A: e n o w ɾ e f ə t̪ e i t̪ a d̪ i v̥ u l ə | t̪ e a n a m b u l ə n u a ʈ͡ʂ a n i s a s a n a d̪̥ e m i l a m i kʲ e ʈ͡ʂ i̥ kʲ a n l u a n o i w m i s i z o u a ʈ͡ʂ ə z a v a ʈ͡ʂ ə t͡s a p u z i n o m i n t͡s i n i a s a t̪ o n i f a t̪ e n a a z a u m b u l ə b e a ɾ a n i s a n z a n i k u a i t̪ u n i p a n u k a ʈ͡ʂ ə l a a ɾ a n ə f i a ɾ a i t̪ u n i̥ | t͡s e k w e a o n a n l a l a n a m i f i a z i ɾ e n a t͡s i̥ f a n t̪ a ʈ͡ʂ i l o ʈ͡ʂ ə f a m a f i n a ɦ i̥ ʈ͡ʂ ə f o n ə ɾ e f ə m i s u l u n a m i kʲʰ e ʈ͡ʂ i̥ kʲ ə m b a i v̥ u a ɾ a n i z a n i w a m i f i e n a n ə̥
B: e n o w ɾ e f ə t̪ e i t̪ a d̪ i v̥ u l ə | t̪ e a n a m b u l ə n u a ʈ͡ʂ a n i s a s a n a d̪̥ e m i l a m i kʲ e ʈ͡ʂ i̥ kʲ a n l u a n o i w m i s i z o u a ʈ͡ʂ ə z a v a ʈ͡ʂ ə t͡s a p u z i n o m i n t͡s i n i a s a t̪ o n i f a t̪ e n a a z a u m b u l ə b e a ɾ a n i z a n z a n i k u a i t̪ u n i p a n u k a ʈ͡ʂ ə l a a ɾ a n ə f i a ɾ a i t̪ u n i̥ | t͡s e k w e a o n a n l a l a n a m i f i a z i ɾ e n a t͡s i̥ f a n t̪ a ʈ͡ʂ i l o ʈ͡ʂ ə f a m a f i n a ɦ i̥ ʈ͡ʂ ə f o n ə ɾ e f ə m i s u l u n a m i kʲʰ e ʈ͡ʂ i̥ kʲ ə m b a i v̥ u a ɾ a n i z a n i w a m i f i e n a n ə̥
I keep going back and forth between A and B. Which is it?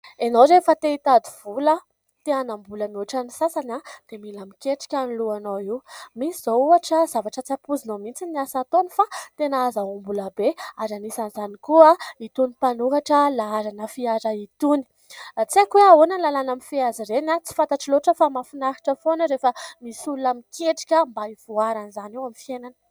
A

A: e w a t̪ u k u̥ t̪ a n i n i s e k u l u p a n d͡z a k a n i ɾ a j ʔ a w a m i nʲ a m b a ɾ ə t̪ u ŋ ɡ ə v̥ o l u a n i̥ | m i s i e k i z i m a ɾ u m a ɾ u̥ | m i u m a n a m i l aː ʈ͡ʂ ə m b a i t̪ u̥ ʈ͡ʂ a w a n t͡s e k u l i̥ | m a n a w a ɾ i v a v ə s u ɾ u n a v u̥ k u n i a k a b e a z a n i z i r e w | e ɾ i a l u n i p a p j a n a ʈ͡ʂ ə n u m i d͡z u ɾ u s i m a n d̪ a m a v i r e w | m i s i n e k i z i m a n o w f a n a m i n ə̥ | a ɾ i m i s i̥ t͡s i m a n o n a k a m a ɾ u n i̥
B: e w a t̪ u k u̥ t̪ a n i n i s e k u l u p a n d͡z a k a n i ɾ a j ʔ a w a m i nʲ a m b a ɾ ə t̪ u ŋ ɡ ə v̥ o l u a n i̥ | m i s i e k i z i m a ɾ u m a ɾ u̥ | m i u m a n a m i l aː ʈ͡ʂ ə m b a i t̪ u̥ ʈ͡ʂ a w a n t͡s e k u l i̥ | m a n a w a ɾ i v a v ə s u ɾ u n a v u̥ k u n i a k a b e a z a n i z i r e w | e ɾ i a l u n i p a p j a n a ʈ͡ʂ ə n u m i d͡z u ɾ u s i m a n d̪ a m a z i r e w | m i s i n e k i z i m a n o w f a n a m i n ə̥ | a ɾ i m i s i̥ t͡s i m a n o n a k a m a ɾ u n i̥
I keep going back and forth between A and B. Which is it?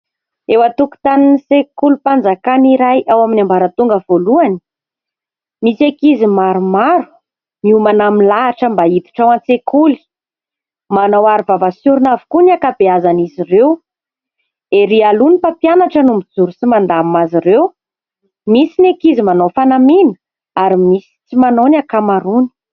B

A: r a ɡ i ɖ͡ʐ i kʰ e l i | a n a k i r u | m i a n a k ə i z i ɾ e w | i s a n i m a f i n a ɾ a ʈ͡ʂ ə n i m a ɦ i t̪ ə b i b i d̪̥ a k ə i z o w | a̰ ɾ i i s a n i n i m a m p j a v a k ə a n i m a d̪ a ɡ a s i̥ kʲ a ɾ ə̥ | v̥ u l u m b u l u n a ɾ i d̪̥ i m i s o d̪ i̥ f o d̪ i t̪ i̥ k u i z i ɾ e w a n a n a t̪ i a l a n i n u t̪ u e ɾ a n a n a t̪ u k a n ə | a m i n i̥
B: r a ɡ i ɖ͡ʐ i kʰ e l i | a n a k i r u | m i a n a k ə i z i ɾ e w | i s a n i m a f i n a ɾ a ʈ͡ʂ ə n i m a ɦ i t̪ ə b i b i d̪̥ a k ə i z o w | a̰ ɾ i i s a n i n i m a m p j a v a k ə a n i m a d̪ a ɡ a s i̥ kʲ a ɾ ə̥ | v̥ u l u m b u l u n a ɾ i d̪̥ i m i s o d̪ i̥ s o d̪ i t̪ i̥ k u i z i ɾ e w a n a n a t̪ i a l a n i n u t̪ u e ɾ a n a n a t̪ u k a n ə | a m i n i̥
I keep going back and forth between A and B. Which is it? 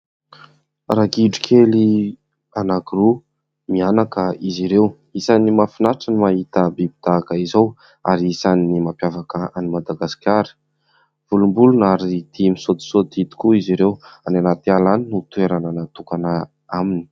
B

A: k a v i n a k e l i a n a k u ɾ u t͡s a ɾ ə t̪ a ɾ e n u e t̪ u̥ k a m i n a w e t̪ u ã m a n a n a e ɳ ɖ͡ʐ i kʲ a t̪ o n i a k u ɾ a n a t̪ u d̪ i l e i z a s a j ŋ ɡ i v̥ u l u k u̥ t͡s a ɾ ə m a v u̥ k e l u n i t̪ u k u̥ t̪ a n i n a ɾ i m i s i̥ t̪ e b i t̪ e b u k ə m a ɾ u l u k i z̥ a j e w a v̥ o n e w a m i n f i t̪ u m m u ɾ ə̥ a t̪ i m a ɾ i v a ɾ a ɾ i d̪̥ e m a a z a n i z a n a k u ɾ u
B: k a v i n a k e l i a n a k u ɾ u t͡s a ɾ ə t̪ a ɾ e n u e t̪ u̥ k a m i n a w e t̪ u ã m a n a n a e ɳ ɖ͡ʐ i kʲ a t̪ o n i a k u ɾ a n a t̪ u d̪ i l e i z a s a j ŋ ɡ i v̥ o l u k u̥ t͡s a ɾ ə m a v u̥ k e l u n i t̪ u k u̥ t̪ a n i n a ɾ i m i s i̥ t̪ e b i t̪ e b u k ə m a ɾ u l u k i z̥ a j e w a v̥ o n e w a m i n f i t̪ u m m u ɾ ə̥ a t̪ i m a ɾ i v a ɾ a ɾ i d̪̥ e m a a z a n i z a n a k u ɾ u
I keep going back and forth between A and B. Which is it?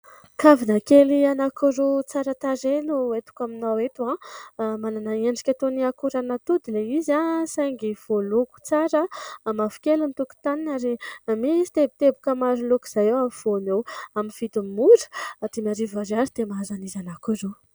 B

